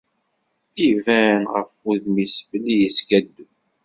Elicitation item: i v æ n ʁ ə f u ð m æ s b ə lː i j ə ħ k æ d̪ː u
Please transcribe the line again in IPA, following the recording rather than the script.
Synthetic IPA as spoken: i v æ n ʁ ə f u ð m i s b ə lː i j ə s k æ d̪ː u